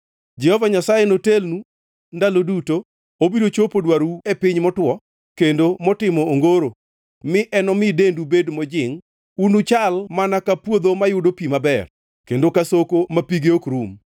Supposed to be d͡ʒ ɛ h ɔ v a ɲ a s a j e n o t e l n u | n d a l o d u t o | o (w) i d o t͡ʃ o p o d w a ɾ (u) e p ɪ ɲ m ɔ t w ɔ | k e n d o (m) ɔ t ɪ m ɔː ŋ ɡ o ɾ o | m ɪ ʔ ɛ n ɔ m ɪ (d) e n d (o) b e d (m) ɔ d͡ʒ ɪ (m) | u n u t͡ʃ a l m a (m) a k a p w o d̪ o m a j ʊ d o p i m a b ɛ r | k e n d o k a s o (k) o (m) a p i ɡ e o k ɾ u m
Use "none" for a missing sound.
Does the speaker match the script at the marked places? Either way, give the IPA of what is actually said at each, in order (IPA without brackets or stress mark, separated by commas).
b, u, m, d, u, m, ŋ, n, k, m